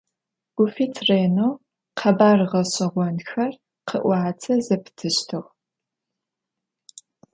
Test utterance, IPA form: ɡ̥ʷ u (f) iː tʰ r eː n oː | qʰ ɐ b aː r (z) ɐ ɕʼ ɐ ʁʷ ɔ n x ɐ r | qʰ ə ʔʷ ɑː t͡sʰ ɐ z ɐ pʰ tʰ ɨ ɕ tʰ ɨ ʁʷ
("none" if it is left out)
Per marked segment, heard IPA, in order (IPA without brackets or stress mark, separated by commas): f, ʁ